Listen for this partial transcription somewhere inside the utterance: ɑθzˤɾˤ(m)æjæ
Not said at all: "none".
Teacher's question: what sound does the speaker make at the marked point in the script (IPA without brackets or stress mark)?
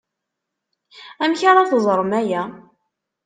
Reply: m